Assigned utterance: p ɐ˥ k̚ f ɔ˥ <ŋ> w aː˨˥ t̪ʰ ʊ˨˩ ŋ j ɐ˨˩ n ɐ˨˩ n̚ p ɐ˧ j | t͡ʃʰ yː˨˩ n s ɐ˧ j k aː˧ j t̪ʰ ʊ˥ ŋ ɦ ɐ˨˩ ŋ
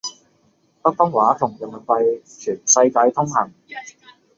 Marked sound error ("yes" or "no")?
no